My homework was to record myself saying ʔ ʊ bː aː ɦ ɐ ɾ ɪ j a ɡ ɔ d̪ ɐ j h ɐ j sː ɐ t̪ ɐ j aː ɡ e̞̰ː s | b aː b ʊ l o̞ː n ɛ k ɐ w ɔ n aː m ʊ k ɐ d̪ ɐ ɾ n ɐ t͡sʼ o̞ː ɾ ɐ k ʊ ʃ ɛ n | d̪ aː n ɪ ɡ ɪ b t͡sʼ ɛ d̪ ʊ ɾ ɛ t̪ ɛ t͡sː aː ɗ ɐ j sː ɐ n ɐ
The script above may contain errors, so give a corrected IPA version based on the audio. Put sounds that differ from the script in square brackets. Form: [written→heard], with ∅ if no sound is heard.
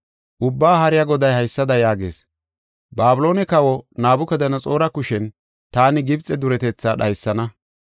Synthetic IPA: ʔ ʊ bː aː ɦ ɐ ɾ ɪ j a ɡ ɔ d̪ ɐ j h ɐ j sː ɐ [t̪→d̪] ɐ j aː ɡ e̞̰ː s | b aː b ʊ l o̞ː n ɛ k ɐ w ɔ n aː [m→b] ʊ k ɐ d̪ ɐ [ɾ→∅] n ɐ t͡sʼ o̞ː ɾ ɐ k ʊ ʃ ɛ n | [d̪→t̪] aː n ɪ ɡ ɪ b t͡sʼ ɛ d̪ ʊ ɾ ɛ t̪ ɛ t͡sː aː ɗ ɐ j sː ɐ n ɐ